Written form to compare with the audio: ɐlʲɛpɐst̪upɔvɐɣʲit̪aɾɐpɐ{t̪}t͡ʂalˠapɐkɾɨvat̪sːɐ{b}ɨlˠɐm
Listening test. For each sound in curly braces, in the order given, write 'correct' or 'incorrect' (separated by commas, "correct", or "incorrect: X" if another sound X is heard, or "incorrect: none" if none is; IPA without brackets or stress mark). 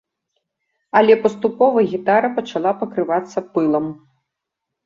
incorrect: none, incorrect: p